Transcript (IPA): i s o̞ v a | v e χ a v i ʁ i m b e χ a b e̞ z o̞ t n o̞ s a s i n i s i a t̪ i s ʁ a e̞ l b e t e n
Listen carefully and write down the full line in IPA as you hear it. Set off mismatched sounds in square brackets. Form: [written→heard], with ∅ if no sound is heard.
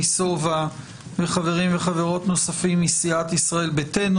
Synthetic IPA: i s o̞ v a | v e χ a v [i→e] ʁ i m [b→v] e χ a [b→v] e̞ [z→ʁ] o̞ t n o̞ s a [s→f] i [n→m] i s i a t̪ i s ʁ a e̞ l b e t e n

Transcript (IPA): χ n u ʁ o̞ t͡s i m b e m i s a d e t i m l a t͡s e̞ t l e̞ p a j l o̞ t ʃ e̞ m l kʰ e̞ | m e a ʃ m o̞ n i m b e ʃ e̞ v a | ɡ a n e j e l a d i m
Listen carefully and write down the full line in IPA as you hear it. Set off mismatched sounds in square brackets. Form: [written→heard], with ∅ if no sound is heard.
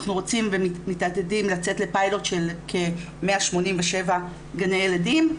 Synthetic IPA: χ n u ʁ o̞ t͡s i m [b→v] e m i [s→t] a d e [t→d] i m l a t͡s e̞ t l e̞ p a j l o̞ t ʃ e̞ [m→∅] l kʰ e̞ | m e a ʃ m o̞ n i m [b→v] e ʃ e̞ v a | ɡ a n e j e l a d i m

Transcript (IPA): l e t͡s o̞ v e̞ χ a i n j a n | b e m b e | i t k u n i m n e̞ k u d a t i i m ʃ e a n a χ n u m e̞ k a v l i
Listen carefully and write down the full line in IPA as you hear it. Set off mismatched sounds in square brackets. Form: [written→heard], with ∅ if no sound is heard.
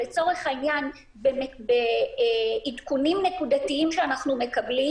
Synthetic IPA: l e t͡s o̞ [v→ʁ] e̞ χ a i n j a n | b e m b e | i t k u n i m n e̞ k u d a t i i m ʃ e a n a χ n u m e̞ k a [v→b] l i

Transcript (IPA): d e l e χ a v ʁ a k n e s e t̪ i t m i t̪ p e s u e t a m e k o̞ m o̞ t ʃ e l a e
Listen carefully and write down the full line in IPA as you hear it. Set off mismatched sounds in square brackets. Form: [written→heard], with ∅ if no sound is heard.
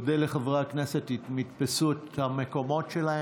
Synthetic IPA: d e l e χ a v ʁ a k n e s e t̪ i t m i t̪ p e s u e t a m e k o̞ m o̞ t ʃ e l a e

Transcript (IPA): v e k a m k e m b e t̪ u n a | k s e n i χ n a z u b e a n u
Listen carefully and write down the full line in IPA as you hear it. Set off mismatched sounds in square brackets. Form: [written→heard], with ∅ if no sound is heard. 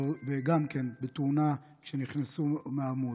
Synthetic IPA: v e [k→ɡ] a m k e [m→n] b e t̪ u n a | k [s→ʃ] e n i χ n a [z→s] u [b→m] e a [n→m] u

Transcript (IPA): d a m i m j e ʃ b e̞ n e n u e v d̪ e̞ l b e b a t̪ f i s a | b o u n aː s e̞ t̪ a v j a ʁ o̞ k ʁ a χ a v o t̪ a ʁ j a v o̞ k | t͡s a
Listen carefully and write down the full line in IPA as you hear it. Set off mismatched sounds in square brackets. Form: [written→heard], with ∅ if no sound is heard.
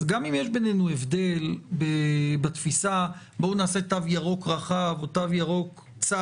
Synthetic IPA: [d→ɡ] a m i m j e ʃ b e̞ n e n u e v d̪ e̞ l b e b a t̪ f i s a | b o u n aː s e̞ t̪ a v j a ʁ o̞ k ʁ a χ a v o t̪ a [ʁ→v] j a [v→ʁ] o̞ k | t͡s a

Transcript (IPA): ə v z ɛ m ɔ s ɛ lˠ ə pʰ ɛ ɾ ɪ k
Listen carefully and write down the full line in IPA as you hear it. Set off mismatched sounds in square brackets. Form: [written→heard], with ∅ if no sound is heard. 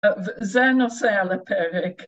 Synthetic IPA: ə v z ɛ [m→n] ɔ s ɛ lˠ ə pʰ ɛ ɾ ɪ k

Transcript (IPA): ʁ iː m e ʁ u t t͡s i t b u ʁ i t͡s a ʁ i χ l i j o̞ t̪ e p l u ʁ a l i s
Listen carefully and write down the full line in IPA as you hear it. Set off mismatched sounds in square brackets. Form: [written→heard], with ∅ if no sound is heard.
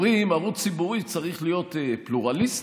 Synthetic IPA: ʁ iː m [e→a] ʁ u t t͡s i [t→∅] b u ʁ i t͡s a ʁ i χ l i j o̞ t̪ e p l u ʁ a l i s

